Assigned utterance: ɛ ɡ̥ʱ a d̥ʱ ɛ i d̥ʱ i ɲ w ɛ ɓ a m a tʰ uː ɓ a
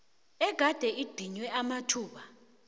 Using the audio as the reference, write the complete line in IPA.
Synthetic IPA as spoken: ɛ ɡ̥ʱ a d̥ʱ ɛ i d̥ʱ i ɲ w ɛ a m a tʰ uː ɓ a